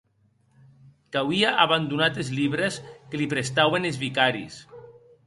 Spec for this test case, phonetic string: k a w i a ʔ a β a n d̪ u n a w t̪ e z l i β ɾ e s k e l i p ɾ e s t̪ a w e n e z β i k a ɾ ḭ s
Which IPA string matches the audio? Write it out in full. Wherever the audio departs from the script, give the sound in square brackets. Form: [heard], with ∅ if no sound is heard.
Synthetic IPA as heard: k a w i a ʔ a β a n d̪ u n a [∅] t̪ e z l i β ɾ e s k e l i p ɾ e s t̪ a w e n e z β i k a ɾ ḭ s